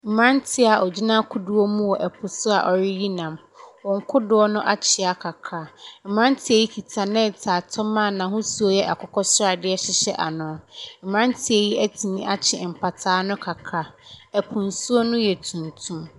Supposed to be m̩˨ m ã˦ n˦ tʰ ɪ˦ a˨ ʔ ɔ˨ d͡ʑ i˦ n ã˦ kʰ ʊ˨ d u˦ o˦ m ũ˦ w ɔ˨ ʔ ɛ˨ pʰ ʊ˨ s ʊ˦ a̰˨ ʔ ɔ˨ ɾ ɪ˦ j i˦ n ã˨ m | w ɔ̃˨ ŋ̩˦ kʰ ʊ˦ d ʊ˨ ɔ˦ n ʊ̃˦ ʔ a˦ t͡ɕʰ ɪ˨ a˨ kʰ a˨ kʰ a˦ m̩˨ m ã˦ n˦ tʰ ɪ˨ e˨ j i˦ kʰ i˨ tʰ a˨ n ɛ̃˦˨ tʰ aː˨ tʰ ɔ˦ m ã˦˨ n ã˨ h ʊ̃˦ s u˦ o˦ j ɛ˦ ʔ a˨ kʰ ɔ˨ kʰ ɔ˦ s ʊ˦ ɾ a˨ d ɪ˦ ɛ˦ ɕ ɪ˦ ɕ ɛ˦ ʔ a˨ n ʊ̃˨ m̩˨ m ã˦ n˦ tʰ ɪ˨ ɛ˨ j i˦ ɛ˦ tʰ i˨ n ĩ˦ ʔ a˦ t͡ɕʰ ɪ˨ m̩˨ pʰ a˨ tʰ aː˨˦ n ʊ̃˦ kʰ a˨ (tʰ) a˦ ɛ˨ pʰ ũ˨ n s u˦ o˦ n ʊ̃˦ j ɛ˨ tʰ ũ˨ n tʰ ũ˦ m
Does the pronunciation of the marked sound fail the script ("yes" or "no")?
yes